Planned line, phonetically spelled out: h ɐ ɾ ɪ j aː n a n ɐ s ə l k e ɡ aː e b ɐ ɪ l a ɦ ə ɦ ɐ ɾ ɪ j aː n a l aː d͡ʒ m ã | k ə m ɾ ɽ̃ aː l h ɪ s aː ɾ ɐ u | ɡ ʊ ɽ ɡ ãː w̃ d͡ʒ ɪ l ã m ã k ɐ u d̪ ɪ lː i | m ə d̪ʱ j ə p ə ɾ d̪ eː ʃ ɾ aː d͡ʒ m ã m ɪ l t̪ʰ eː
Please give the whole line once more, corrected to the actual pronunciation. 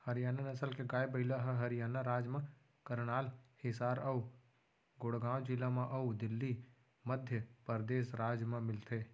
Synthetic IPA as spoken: h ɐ ɾ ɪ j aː n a n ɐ s ə l k e ɡ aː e b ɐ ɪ l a ɦ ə ɦ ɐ ɾ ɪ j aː n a ɾ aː d͡ʒ m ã | k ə ɾ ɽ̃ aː l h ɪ s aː ɾ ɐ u | ɡ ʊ ɽ ɡ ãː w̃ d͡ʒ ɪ l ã m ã ʔ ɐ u d̪ ɪ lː i | m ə d̪ʱ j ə p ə ɾ d̪ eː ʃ ɾ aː d͡ʒ m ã m ɪ l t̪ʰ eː